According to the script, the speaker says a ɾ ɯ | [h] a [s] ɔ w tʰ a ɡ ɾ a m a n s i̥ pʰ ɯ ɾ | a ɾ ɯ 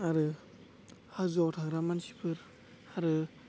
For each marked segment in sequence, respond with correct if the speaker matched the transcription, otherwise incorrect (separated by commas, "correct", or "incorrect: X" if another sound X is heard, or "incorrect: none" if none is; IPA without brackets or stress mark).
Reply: correct, incorrect: z